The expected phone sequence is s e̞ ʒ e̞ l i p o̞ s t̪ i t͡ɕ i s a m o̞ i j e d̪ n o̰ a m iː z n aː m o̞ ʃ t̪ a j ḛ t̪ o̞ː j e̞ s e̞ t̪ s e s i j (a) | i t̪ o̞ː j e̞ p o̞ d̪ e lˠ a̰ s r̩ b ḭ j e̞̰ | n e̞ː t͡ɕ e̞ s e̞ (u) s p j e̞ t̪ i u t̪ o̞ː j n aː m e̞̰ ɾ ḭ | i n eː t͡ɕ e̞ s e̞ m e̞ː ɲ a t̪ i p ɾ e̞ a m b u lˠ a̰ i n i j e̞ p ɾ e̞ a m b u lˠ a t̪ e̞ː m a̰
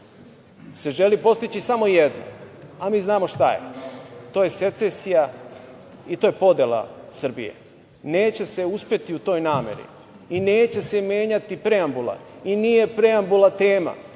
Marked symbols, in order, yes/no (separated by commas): yes, yes